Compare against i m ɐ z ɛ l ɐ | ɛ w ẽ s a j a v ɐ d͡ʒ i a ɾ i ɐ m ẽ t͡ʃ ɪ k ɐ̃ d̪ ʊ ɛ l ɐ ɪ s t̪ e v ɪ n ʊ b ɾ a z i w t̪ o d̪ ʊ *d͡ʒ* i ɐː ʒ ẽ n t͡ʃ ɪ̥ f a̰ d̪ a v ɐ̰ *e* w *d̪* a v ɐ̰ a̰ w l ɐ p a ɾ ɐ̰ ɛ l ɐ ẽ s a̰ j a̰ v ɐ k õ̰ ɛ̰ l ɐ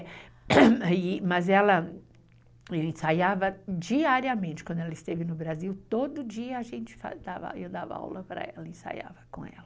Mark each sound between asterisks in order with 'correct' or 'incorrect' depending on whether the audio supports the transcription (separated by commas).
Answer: correct, correct, correct